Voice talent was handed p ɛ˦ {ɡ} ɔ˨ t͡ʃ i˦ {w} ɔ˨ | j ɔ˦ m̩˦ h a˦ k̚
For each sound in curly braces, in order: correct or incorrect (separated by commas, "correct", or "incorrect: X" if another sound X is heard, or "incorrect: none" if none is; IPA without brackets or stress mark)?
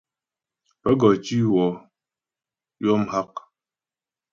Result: correct, correct